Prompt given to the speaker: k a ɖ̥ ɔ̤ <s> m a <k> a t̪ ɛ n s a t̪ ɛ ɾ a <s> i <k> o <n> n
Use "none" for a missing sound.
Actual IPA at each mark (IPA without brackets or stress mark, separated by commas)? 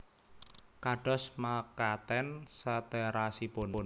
s, k, s, p, n